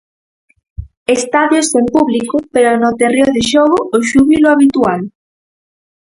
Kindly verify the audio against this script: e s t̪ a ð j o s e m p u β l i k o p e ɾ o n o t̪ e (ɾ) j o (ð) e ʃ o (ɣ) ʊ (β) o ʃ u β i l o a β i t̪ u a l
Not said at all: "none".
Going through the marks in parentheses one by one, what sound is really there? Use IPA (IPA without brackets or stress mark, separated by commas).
r, ð, ɣ, none